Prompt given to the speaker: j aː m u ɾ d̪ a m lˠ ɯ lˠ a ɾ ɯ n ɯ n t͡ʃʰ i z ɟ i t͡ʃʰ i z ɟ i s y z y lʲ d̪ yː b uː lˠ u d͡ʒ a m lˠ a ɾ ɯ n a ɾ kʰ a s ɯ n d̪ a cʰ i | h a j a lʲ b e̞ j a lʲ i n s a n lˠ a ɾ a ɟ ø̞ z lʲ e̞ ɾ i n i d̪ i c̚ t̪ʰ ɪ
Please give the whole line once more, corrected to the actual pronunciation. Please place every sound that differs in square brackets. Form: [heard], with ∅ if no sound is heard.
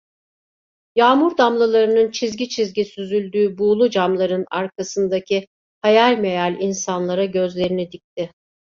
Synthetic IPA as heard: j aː m u ɾ d̪ a m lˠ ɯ lˠ a ɾ ɯ n ɯ n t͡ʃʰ i z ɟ i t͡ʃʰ i z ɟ i s y z y lʲ d̪ yː b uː lˠ u d͡ʒ a m lˠ a ɾ ɯ n a ɾ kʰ a s ɯ n d̪ a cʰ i | h a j a lʲ [m] e̞ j a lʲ i n s a n lˠ a ɾ a ɟ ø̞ z lʲ e̞ ɾ i n i d̪ i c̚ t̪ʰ ɪ